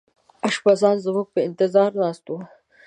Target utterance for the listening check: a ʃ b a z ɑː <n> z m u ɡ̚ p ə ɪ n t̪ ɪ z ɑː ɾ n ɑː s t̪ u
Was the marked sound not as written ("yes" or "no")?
no